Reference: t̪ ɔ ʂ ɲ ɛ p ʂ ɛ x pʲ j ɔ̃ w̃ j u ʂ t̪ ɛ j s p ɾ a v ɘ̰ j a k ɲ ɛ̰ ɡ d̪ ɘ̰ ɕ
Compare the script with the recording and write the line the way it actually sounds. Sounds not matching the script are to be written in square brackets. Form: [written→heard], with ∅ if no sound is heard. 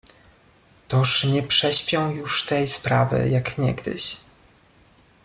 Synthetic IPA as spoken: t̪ ɔ ʂ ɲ ɛ p ʂ ɛ [x→ɕ] pʲ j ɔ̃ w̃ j u ʂ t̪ ɛ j s p ɾ a v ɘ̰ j a k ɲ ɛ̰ ɡ d̪ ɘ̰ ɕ

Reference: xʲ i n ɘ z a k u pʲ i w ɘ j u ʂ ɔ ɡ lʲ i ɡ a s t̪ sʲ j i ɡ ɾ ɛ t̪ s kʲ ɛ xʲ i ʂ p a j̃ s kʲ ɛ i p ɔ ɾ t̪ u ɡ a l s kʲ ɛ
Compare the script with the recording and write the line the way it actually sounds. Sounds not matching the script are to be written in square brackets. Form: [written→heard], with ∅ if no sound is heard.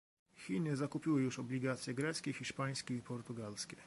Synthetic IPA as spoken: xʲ i n ɘ z a k u pʲ i w ɘ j u ʂ ɔ [ɡ→b] lʲ i ɡ a [s→∅] t̪ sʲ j [i→ɛ] ɡ ɾ ɛ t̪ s kʲ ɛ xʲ i ʂ p a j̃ s kʲ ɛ i p ɔ ɾ t̪ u ɡ a l s kʲ ɛ

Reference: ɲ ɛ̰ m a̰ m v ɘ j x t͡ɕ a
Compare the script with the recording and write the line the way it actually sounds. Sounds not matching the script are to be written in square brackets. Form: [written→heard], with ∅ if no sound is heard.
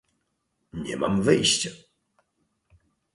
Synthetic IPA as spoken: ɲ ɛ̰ m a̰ m v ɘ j [x→ɕ] t͡ɕ a

